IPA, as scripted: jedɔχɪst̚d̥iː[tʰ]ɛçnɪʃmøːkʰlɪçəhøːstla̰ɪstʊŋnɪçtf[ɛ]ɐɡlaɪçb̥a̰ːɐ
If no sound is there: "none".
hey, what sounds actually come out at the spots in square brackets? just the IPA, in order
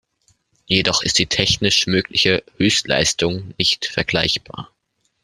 tʰ, ɛ

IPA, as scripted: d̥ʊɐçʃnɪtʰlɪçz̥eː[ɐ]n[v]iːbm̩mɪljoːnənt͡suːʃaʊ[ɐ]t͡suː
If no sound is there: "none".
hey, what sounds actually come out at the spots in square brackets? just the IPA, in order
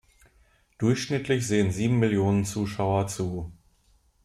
ə, z, ɐ

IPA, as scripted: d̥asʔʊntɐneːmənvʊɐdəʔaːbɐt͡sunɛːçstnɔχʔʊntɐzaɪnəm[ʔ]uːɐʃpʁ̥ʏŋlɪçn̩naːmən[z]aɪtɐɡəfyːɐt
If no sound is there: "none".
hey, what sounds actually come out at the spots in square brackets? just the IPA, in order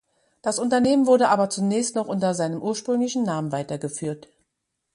ʔ, v

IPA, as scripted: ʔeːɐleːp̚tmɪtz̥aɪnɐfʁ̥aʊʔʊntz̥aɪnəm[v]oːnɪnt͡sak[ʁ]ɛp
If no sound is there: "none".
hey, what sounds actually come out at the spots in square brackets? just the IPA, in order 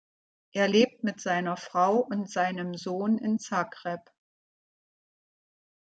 z, ʁ

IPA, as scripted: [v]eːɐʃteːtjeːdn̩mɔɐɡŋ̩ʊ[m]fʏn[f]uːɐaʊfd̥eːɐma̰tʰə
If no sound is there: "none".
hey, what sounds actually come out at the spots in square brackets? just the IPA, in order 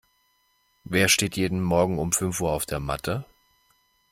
v, m, f

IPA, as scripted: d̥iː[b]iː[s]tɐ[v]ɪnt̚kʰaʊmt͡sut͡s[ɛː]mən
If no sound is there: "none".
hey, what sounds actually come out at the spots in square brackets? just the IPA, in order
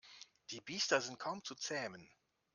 b, s, z, ɛː

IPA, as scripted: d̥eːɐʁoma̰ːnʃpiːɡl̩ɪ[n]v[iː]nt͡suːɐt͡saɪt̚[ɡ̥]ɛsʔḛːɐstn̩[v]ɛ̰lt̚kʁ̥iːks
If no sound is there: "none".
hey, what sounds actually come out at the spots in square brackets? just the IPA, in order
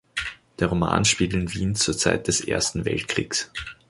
n, iː, d̥, v

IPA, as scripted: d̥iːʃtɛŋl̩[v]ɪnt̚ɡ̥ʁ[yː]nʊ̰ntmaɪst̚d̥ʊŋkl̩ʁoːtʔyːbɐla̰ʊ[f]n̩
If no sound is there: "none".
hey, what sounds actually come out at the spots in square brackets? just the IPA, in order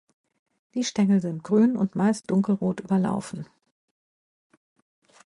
z, yː, f

